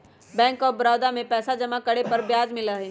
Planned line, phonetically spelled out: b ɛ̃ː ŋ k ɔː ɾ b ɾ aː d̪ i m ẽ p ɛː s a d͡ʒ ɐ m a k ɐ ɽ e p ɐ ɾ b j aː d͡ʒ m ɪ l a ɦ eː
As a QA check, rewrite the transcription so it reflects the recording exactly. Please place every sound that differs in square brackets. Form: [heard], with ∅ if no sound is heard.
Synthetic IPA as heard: b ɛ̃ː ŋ k ɔː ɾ b ɾ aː d̪ [a] m ẽ p ɛː s a d͡ʒ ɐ m a k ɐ ɽ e p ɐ ɾ b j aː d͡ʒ m ɪ l a ɦ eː